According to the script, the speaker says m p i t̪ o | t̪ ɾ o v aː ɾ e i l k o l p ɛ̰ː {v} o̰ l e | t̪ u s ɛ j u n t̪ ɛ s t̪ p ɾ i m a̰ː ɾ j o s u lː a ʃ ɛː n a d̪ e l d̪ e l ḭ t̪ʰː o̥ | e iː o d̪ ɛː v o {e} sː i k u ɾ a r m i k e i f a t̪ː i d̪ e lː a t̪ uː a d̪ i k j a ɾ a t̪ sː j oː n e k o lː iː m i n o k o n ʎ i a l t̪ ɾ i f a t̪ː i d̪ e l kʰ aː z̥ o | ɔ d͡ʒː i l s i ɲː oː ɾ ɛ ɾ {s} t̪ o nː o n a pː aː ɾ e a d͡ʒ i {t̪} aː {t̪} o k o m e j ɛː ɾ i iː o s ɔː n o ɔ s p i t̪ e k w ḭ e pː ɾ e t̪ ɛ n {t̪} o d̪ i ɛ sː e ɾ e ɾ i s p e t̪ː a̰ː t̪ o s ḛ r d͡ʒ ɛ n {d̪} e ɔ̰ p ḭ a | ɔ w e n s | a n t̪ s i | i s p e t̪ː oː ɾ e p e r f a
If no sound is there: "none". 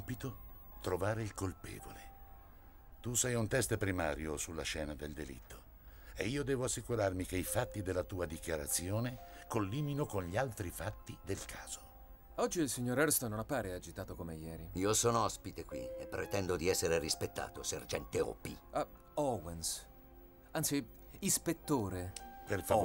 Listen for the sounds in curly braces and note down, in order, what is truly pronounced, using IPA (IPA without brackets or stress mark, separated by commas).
v, a, s, t̪, t̪, d̪, t̪